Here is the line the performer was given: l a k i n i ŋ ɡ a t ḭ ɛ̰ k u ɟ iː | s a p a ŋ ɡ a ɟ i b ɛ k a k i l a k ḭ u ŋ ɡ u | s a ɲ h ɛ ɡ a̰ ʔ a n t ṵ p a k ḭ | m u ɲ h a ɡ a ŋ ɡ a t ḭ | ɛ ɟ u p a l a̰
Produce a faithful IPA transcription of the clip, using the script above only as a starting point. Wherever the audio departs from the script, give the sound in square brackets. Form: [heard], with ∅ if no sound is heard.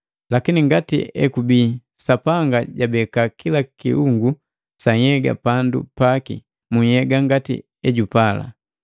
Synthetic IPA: l a k i n i ŋ ɡ a t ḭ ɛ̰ k u [b] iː | s a p a ŋ ɡ a ɟ [a] b ɛ k a k i l a k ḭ u ŋ ɡ u | s a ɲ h ɛ ɡ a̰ [p] a n [d] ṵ p a k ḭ | m u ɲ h [ɛ] ɡ a ŋ ɡ a t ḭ | ɛ ɟ u p a l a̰

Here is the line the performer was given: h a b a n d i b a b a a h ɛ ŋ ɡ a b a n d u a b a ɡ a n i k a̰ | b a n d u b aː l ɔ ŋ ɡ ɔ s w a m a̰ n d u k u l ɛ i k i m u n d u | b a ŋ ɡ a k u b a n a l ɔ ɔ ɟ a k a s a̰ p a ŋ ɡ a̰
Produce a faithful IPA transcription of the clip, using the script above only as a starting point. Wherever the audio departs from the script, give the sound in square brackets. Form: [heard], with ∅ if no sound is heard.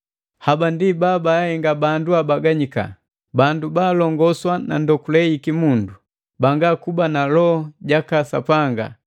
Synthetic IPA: h a b a n d i b a b a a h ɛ ŋ ɡ a b a n d u a b a ɡ a [ɲ] i k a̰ | b a n d u b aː l ɔ ŋ ɡ ɔ s w a [n] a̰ n d [ɔ] k u l ɛ i k i m u n d u | b a ŋ ɡ a k u b a n a l ɔ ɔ ɟ a k a s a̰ p a ŋ ɡ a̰

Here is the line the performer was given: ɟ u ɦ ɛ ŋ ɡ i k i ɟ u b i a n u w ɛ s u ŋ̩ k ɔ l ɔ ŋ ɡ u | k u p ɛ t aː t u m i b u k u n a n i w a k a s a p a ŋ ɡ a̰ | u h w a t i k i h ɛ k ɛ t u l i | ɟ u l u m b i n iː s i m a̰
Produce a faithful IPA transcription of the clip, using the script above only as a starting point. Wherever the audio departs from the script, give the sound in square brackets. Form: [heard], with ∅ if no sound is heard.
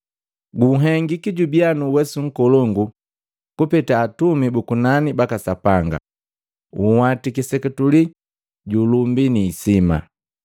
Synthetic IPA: [ɡ] u ɦ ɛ ŋ ɡ i k i ɟ u b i a n u w ɛ s u ŋ̩ k ɔ l ɔ ŋ ɡ u | k u p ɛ t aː t u m i b u k u n a n i [b] a k a s a p a ŋ ɡ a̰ | u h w a t i k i [s] ɛ k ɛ t u l i | ɟ u l u m b i n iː s i m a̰

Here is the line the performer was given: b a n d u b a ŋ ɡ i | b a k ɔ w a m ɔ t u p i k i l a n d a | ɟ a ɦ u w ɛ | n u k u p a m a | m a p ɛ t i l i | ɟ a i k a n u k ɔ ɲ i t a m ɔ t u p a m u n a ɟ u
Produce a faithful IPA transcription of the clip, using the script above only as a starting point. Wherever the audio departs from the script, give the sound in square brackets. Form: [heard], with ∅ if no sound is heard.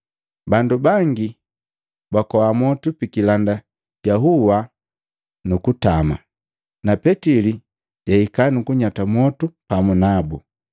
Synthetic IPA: b a n d u b a ŋ ɡ i | b a k ɔ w a m ɔ t u p i k i l a n d a | ɟ a ɦ u w [a] | n u k u [t] a m a | [n] a p ɛ t i l i | ɟ a i k a n u k [u] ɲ [a] t a m ɔ t u p a m u n a [b] u

